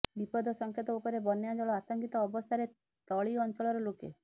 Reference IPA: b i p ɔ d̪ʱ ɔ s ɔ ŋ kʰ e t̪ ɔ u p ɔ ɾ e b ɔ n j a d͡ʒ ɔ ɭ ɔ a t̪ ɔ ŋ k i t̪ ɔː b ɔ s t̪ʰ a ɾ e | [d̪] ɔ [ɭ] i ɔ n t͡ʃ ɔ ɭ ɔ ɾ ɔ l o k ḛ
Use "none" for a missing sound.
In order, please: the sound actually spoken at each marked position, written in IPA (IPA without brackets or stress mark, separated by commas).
t̪, ɭ